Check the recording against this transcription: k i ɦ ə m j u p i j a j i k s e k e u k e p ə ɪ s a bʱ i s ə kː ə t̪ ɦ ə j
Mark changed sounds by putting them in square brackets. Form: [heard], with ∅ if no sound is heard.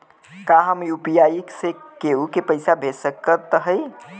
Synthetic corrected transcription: k [a] ɦ ə m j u p i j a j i k s e k e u k e p ə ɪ s a bʱ [e] s ə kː ə t̪ ɦ ə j